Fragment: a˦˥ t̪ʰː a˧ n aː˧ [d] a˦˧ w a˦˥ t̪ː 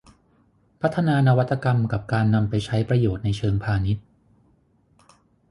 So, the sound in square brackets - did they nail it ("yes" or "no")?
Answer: no